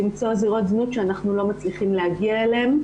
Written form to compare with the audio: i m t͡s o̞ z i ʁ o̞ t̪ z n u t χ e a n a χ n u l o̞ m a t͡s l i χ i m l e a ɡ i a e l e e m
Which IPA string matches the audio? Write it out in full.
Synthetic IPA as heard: i m t͡s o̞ z i ʁ o̞ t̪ z n u t ʃ e a n a χ n u l o̞ m a t͡s l i χ i m l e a ɡ i a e l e e m